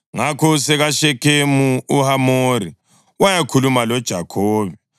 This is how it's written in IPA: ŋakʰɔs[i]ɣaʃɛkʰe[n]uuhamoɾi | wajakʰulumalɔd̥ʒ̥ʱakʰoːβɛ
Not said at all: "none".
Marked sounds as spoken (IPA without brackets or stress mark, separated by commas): ɛ, m